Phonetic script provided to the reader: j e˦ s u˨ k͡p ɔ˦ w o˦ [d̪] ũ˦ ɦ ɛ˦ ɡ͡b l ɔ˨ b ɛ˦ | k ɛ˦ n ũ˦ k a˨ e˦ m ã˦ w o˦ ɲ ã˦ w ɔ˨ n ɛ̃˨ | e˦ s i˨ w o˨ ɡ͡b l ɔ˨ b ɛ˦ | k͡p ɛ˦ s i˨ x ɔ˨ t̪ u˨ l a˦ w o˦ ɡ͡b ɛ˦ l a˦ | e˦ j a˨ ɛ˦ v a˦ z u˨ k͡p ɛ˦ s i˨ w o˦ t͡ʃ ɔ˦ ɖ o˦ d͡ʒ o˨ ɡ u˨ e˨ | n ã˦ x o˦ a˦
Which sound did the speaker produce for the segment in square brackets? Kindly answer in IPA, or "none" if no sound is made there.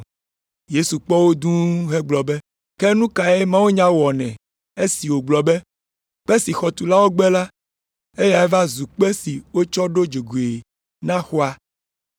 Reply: d̪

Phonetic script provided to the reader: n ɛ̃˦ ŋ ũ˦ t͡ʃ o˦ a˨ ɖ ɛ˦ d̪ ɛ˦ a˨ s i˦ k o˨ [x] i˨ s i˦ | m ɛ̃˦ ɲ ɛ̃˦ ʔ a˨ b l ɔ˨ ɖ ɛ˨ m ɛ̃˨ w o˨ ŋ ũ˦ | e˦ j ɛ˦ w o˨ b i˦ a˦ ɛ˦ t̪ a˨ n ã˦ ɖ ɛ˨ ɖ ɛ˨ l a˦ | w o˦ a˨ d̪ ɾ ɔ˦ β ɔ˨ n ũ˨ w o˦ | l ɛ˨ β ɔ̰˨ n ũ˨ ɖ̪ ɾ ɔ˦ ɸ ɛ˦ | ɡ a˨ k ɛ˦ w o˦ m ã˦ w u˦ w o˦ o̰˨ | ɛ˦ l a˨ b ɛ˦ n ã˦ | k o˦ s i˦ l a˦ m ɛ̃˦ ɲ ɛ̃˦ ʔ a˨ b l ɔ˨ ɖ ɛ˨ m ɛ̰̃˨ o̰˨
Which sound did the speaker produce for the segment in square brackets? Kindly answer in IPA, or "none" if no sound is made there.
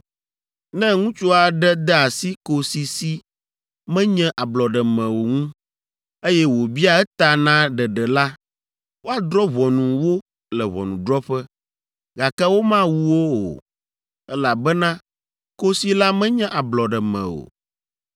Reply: s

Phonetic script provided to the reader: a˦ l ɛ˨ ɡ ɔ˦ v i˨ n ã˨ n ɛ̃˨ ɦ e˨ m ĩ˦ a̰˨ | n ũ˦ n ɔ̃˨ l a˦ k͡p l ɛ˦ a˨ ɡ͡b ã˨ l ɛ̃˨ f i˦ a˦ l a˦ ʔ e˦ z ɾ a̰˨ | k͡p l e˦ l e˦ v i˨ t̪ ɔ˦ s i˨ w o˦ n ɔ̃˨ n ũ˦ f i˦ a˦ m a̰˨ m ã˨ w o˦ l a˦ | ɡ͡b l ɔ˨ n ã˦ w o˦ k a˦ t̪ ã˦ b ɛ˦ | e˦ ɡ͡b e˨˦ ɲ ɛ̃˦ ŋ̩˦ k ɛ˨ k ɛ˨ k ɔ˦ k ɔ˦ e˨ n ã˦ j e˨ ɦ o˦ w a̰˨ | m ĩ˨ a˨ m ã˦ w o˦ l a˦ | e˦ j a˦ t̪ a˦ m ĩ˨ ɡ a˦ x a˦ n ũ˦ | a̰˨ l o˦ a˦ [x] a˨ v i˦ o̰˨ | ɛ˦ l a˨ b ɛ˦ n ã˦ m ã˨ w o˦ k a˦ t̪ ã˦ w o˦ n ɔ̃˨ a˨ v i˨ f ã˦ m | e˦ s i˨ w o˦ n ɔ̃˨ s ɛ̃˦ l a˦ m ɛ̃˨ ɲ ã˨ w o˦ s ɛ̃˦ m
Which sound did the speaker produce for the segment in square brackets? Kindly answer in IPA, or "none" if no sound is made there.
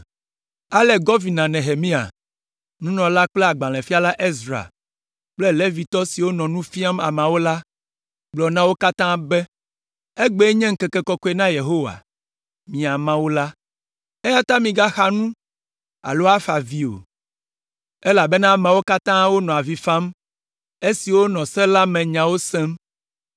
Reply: f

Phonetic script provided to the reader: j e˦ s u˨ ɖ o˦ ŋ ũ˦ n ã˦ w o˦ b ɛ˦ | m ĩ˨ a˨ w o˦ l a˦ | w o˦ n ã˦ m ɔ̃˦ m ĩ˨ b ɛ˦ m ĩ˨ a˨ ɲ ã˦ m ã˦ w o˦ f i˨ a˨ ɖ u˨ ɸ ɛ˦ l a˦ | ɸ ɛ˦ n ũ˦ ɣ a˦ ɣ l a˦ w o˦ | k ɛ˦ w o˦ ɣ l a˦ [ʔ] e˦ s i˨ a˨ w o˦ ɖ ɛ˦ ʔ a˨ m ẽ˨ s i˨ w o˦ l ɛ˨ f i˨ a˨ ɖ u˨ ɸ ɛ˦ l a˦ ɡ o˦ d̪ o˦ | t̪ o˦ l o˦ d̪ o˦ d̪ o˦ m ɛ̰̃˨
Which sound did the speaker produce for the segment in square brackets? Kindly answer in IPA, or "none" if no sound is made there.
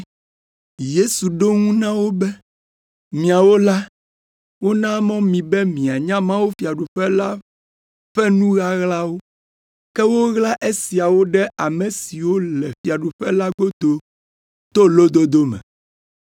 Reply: ʔ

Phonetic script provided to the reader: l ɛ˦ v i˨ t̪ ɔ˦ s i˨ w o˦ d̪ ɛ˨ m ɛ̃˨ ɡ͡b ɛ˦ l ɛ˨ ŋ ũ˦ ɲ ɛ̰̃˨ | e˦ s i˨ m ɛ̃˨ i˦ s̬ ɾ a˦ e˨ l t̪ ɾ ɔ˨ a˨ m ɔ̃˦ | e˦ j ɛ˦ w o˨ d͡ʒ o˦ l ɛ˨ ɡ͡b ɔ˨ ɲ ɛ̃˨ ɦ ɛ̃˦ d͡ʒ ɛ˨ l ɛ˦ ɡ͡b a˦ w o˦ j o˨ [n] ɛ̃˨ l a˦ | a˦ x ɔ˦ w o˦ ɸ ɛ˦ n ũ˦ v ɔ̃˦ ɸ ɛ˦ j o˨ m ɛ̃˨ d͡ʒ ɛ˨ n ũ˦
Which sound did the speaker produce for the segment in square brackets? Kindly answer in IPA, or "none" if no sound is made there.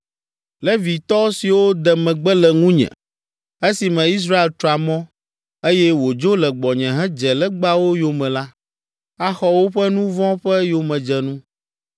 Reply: m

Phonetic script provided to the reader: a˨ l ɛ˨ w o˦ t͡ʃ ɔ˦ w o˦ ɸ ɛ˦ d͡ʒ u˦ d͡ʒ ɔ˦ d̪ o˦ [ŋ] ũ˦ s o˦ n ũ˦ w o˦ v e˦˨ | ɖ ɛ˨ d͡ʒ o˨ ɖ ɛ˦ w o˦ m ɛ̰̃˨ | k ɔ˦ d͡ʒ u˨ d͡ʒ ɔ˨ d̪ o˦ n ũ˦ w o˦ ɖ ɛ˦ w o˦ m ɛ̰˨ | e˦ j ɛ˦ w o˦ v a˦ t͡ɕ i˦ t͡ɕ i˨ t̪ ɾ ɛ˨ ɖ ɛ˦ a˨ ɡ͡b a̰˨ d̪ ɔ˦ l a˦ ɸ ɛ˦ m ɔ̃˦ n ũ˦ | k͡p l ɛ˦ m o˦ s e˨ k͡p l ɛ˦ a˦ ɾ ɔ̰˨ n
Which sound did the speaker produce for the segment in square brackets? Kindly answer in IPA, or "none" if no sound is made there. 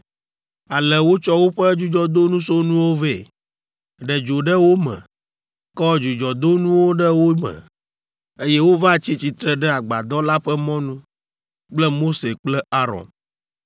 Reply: n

